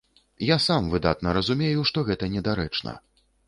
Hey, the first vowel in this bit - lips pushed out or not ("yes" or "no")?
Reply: no